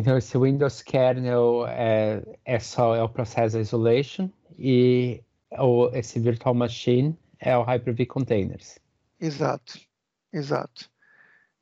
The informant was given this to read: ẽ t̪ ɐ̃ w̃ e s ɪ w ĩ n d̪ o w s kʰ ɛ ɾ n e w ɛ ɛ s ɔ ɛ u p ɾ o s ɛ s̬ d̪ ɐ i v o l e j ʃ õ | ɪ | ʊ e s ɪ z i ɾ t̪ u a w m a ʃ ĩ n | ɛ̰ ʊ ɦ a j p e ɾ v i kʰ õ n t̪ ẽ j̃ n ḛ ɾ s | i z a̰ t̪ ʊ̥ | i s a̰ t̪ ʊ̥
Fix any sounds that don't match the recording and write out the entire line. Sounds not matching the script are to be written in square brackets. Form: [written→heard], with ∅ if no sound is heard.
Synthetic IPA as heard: ẽ t̪ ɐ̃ w̃ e s ɪ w ĩ n d̪ o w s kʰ ɛ ɾ n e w ɛ ɛ s ɔ ɛ [u→ʊ] p ɾ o s ɛ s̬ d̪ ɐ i [v→z] o l e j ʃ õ | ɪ | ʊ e s ɪ [z→v] i ɾ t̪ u a w m a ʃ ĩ n | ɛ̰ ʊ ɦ a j p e ɾ v i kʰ õ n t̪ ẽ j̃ n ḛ ɾ s | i z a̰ t̪ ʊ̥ | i [s→z] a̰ t̪ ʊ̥